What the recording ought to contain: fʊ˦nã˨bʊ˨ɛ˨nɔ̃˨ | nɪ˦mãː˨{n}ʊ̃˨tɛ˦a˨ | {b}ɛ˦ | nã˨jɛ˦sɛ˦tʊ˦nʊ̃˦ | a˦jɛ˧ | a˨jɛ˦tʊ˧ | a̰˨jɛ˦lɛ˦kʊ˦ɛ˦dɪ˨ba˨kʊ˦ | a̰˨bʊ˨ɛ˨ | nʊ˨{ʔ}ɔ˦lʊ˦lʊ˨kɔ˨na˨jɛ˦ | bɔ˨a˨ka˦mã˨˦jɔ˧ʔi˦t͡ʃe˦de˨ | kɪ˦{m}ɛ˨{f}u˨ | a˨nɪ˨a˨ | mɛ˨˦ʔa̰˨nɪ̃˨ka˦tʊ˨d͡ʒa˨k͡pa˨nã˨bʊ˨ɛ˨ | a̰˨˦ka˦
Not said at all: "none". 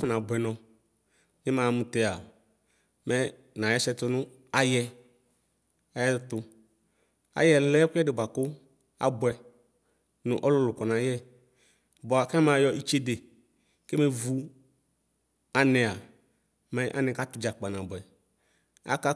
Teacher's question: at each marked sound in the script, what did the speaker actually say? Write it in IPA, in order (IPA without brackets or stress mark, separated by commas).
m, m, ʔ, m, v